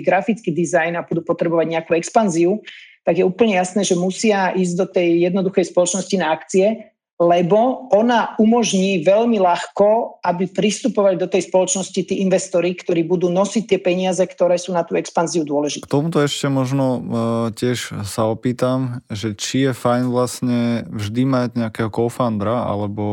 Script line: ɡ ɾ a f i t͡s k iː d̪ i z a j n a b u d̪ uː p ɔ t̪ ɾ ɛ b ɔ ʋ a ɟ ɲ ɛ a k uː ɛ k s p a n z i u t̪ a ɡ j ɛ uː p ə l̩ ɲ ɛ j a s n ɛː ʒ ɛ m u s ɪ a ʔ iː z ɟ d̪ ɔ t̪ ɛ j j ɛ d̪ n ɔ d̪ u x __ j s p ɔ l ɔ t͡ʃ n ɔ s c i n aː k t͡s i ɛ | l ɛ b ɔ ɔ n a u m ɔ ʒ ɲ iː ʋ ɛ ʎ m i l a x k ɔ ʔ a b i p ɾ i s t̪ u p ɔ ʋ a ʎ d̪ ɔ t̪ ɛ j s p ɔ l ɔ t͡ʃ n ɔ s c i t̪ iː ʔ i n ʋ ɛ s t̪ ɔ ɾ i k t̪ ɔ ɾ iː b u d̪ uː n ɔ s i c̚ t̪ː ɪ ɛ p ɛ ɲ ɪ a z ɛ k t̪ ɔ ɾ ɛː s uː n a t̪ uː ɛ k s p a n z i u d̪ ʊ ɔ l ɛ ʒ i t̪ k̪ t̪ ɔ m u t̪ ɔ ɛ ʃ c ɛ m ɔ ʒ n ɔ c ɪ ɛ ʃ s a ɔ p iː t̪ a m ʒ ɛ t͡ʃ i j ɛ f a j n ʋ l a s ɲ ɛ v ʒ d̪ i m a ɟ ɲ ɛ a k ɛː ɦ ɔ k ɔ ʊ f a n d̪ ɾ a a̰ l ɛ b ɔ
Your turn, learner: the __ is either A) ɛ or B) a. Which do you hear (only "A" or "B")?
A